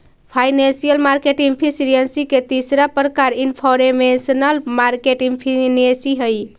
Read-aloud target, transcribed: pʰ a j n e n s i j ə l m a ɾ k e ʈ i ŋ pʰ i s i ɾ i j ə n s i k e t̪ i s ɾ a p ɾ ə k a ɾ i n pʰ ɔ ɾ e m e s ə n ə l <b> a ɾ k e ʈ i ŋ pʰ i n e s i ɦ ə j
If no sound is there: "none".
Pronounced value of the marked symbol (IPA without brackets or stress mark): m